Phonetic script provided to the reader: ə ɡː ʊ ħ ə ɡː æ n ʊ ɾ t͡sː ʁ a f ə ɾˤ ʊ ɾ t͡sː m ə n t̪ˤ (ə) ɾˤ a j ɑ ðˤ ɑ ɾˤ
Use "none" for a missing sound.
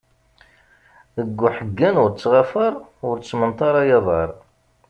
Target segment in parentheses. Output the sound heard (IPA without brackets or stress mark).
ɑ